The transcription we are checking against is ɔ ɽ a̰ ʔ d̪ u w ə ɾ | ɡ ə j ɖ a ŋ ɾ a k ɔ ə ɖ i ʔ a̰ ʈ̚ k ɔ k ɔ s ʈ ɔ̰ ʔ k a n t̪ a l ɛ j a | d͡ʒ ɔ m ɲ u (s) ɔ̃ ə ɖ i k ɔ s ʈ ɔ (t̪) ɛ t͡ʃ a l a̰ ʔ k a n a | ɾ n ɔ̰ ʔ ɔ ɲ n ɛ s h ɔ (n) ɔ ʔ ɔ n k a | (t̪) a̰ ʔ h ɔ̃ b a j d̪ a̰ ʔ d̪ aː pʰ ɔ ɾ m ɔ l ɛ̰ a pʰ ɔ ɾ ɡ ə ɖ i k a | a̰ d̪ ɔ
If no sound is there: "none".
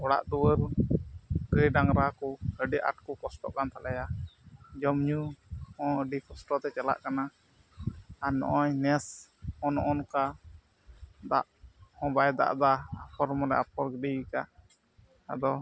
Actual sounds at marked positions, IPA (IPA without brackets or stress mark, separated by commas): h, t̪, n, d̪